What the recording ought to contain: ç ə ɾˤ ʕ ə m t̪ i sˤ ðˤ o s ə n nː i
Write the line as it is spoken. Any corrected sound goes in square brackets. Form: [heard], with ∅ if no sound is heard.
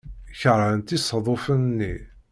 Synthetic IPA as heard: ç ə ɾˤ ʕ ə [n] t̪ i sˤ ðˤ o [f] ə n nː i